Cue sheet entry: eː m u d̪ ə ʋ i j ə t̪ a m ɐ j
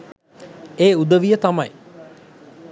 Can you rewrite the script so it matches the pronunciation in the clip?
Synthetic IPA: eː u d̪ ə ʋ i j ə t̪ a m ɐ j